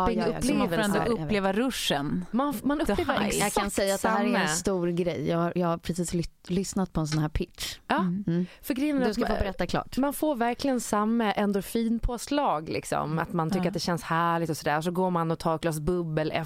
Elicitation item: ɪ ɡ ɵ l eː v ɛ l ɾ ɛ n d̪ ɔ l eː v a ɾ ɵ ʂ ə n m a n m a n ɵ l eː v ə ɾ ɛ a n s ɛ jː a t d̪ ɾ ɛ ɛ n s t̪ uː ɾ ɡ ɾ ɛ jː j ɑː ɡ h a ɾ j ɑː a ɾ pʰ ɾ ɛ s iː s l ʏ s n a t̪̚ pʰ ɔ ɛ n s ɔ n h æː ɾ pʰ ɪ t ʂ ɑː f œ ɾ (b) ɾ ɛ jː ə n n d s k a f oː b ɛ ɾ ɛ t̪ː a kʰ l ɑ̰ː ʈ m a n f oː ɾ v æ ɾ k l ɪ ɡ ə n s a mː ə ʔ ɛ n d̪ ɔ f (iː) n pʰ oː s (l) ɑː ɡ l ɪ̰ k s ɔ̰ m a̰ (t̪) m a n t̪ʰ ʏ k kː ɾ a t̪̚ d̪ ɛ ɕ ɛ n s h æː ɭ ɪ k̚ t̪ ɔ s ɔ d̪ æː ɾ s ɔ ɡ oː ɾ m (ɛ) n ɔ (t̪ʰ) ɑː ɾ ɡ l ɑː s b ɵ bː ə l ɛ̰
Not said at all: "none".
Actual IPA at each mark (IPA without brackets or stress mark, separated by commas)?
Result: ɡ, iː, l, t̪, a, t̪ʰ